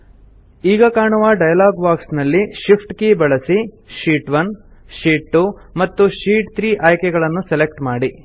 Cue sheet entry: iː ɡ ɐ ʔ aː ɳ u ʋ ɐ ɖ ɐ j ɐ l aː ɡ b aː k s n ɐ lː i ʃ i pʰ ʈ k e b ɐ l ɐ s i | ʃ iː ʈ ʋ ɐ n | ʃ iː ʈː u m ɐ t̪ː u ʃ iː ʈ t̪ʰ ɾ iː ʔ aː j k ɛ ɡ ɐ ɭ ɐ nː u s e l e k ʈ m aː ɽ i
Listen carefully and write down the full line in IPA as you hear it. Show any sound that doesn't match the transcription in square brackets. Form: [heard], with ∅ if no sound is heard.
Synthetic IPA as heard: iː ɡ ɐ [k] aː ɳ u ʋ ɐ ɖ ɐ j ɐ l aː ɡ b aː k s n ɐ lː i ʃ i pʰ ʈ k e b ɐ [ɭ] ɐ s i | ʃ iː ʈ ʋ ɐ n | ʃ iː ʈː u m ɐ t̪ː u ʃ iː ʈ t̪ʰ ɾ iː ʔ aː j k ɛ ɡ ɐ ɭ ɐ nː u s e l e k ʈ m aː ɽ i